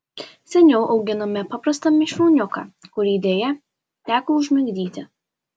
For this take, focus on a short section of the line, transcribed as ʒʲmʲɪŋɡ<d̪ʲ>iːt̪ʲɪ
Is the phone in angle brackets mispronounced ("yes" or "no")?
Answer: no